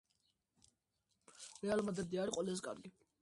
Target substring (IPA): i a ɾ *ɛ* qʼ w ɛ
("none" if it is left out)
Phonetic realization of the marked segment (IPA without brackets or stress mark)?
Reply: i